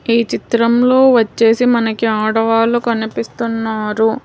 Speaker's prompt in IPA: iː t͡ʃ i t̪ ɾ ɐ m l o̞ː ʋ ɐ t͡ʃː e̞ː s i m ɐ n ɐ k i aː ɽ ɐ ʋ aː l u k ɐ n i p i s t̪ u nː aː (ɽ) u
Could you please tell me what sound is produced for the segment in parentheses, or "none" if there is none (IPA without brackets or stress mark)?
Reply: ɾ